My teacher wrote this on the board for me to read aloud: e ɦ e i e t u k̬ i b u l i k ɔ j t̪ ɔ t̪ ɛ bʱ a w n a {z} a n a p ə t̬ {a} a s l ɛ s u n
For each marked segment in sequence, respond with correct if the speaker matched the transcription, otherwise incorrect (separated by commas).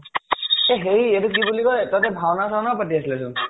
incorrect, incorrect